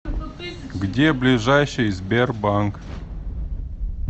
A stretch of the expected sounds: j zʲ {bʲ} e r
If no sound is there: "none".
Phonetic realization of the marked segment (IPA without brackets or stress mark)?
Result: bʲ